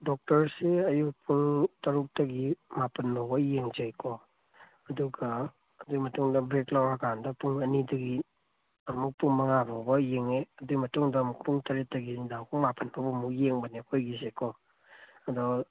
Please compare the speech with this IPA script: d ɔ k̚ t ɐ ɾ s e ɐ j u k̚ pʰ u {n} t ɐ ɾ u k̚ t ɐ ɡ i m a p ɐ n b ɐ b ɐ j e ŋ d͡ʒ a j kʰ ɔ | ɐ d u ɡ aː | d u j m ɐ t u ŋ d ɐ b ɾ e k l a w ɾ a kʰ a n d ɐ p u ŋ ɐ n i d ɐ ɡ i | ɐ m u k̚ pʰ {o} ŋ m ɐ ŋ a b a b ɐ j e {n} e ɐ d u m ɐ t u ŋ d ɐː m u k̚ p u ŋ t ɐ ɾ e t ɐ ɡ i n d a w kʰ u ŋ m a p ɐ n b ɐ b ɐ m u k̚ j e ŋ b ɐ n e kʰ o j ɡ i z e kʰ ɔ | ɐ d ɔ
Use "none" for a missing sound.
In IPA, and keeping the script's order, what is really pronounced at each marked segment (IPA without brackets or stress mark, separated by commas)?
ŋ, u, ŋ